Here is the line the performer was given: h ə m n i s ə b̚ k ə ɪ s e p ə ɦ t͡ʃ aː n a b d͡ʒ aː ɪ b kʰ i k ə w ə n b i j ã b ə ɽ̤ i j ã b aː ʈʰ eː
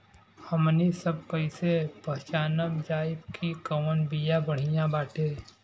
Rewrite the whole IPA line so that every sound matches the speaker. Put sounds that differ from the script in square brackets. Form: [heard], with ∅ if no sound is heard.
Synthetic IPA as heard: h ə m n i s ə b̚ k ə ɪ s e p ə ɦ t͡ʃ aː n [ə] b d͡ʒ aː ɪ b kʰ i k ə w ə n b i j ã b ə ɽ̤ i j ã b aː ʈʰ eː